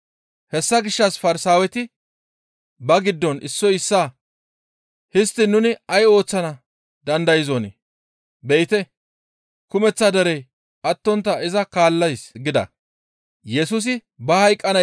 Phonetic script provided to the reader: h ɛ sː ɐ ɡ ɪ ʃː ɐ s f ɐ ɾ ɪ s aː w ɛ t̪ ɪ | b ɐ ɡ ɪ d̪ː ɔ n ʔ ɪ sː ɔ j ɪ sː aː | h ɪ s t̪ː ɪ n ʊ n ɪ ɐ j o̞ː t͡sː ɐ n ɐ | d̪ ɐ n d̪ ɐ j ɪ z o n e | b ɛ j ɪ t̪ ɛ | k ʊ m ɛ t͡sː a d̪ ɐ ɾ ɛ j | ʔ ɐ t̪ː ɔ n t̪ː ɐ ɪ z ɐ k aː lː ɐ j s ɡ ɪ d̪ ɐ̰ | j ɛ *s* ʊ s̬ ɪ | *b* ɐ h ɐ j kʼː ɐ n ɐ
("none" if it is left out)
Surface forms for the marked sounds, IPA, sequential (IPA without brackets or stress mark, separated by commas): s, b